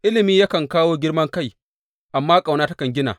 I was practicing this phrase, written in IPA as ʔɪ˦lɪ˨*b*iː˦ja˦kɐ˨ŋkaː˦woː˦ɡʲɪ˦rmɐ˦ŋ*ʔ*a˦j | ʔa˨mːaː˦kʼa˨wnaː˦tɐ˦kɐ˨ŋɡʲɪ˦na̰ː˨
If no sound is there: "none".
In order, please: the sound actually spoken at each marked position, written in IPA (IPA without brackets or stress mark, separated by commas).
m, k